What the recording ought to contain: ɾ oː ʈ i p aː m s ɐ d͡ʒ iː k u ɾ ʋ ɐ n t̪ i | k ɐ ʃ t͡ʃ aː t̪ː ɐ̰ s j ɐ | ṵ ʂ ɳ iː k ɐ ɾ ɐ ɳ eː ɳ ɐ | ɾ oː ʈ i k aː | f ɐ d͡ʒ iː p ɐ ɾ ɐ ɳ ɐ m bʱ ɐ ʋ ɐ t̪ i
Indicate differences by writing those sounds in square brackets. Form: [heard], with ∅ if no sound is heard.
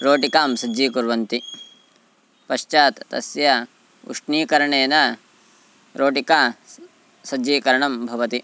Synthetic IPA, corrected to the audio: ɾ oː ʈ i [k] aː m s ɐ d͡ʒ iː k u ɾ ʋ ɐ n t̪ i | [p] ɐ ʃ t͡ʃ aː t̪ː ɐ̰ s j ɐ | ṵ ʂ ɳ iː k ɐ ɾ ɐ ɳ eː [n] ɐ | ɾ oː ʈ i k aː | [s] ɐ d͡ʒ iː [k] ɐ ɾ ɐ ɳ ɐ m bʱ ɐ ʋ ɐ t̪ i